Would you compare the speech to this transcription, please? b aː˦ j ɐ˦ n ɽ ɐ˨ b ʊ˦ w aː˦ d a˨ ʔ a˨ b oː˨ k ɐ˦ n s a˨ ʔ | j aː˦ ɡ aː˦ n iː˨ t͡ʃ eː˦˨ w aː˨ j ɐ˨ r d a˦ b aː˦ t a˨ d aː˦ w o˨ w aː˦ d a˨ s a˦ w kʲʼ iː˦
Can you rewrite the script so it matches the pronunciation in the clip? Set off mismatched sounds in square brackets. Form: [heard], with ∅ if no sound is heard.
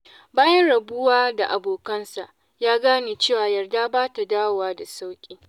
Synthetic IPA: b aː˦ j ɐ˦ n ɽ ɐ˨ b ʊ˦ w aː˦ d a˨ ʔ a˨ b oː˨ k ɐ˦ n s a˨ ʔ | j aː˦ ɡ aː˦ n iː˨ t͡ʃ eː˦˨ w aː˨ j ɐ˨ r d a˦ b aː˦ t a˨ d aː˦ w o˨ w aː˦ d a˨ s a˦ w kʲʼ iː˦